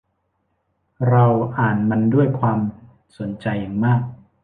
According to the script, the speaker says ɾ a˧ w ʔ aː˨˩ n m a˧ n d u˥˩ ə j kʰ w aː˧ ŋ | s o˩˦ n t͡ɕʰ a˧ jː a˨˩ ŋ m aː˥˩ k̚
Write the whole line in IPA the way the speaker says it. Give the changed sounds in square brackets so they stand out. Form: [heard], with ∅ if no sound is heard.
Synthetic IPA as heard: ɾ a˧ w ʔ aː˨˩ n m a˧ n d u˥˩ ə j kʰ w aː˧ [m] | s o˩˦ n [t͡ɕ] a˧ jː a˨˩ ŋ m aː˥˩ k̚